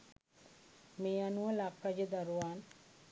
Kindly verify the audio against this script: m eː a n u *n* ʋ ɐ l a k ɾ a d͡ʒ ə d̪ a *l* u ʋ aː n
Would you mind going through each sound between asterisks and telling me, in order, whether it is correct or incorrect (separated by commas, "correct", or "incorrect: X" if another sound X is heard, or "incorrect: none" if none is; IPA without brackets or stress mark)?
incorrect: none, incorrect: ɾ